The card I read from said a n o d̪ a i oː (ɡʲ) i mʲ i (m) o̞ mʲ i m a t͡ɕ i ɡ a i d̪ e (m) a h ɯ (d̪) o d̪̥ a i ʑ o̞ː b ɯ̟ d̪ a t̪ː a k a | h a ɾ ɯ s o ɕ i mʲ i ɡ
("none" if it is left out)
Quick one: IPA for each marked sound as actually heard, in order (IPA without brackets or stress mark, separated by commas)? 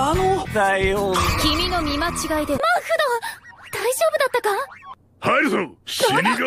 kʲ, n, m, d̪